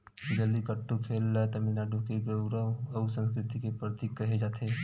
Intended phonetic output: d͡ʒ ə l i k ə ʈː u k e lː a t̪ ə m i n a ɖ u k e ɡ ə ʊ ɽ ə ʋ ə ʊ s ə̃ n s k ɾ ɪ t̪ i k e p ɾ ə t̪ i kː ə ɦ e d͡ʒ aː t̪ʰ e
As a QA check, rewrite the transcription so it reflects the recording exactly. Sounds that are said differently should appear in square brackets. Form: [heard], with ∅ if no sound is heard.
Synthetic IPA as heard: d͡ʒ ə l i k ə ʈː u [kʰ] e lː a t̪ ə m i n a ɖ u k e ɡ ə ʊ [ɾ] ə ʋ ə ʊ s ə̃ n s k ɾ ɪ t̪ i k e p ɾ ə t̪ i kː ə ɦ e d͡ʒ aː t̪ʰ e